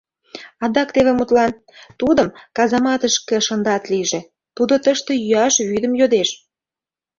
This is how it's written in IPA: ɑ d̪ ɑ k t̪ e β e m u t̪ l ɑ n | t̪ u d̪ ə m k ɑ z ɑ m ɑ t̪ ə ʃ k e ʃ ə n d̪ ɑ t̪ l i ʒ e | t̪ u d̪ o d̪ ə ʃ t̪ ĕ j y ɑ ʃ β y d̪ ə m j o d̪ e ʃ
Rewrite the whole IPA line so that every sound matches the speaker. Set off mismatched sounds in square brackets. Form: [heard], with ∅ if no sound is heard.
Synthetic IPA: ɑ d̪ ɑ k t̪ e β e m u t̪ l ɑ n | t̪ u d̪ ə m k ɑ z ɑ m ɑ t̪ ə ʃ k e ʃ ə n d̪ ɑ t̪ l i ʒ e | t̪ u d̪ o [t̪] ə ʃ t̪ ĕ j y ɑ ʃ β y d̪ ə m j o d̪ e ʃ